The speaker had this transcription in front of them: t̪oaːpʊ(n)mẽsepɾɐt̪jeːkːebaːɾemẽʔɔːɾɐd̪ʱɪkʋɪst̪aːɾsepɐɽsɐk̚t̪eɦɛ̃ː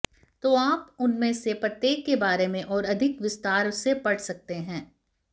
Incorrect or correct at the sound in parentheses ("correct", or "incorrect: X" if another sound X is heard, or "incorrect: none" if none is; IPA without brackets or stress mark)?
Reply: correct